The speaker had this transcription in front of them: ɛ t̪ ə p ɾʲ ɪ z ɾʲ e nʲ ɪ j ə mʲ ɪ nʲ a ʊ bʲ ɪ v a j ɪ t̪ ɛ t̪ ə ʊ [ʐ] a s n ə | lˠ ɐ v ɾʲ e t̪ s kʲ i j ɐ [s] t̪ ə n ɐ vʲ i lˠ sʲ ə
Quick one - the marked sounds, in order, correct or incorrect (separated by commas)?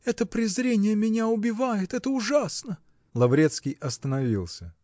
correct, correct